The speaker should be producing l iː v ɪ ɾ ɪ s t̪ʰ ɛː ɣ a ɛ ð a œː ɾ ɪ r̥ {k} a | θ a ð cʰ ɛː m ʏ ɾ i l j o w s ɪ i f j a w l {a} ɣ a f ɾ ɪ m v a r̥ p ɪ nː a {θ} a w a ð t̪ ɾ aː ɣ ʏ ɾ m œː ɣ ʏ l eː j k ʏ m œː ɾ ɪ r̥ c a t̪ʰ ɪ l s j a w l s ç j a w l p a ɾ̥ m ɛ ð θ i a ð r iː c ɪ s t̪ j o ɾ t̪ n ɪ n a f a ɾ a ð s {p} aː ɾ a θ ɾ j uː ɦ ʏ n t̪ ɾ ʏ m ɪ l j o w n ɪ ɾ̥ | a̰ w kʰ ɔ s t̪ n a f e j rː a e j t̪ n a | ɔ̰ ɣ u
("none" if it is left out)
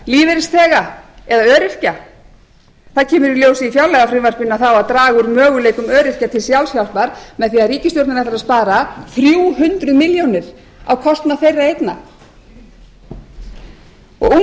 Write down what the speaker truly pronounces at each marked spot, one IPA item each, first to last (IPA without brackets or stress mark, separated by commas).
c, ɛ, θ, p